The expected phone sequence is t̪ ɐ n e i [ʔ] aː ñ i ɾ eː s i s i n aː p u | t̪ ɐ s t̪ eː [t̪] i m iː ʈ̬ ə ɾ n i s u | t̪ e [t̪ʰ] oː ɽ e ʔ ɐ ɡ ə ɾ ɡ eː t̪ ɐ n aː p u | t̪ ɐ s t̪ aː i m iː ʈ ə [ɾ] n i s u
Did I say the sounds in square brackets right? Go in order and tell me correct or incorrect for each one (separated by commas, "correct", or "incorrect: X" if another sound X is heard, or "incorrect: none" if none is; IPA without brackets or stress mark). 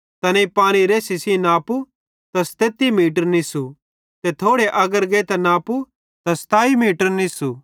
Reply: incorrect: p, correct, correct, correct